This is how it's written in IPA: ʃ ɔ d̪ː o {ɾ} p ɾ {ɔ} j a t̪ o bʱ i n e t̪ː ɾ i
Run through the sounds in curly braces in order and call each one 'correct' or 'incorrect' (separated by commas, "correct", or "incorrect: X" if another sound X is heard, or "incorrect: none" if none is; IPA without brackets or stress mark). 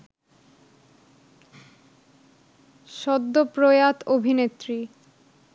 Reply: incorrect: none, incorrect: o